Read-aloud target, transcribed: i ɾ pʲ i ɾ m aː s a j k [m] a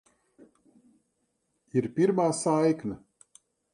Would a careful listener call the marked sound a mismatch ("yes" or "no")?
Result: yes